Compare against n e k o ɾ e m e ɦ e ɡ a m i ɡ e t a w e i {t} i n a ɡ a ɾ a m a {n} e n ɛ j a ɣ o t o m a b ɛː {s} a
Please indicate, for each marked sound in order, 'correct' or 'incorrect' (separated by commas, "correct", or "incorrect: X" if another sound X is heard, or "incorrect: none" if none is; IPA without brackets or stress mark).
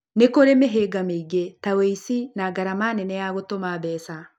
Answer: incorrect: s, correct, correct